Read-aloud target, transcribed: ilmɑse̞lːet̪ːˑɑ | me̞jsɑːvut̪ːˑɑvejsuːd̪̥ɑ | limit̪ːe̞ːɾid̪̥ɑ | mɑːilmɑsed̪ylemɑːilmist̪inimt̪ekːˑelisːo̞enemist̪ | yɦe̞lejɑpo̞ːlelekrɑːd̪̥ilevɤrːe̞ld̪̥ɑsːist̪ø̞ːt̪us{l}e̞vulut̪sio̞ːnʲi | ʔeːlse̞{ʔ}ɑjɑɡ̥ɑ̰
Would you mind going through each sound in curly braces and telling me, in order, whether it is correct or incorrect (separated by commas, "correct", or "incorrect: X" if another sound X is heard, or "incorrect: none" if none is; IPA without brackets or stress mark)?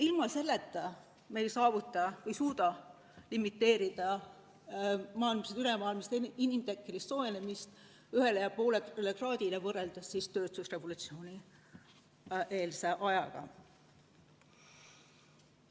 incorrect: r, correct